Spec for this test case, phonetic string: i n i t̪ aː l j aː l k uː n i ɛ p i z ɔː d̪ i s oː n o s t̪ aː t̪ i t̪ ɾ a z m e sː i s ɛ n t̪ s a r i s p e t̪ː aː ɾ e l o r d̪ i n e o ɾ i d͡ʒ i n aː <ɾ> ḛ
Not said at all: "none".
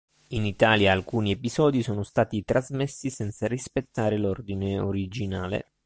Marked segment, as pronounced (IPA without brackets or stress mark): l